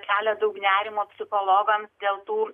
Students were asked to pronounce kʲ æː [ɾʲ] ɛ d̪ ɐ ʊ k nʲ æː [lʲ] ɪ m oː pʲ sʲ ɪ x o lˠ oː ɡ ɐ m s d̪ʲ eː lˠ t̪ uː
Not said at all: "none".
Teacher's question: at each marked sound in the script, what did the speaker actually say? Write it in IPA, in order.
lʲ, ɾʲ

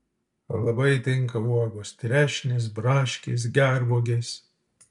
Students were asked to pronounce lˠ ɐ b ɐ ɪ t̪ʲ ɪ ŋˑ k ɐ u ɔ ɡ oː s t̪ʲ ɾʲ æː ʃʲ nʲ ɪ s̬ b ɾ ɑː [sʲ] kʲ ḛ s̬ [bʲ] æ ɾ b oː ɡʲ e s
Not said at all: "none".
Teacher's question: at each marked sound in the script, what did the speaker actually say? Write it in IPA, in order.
ʃʲ, ɡʲ

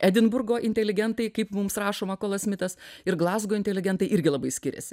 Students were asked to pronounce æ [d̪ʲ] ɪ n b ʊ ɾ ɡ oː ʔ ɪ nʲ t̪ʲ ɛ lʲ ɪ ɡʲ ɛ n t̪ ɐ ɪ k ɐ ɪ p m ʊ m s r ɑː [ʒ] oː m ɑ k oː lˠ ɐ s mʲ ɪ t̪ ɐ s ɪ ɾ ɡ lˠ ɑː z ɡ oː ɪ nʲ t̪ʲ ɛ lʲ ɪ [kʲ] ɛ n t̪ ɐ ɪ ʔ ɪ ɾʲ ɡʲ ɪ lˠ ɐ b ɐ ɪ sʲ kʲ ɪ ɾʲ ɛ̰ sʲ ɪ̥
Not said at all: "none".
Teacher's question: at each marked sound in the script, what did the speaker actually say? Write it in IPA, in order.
d̪ʲ, ʃ, ɡʲ

